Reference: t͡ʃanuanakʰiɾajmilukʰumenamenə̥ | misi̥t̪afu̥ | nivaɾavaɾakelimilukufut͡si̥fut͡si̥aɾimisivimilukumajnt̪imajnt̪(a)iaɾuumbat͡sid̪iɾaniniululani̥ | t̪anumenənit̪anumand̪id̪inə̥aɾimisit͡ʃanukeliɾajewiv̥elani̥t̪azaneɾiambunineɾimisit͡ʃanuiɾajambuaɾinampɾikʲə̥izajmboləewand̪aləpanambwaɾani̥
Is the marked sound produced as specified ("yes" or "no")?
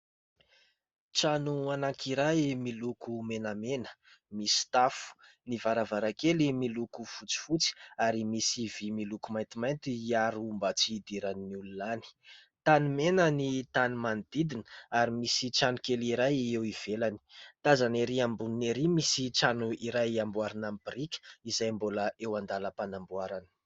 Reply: no